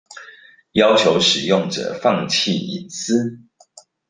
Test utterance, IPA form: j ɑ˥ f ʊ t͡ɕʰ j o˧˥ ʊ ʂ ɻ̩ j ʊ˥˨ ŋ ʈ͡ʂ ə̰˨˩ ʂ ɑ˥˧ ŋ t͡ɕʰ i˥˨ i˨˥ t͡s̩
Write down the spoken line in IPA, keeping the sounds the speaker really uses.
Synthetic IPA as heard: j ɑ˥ ʊ t͡ɕʰ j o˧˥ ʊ ʂ ɻ̩ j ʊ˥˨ ŋ ʈ͡ʂ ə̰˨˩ f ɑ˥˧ ŋ t͡ɕʰ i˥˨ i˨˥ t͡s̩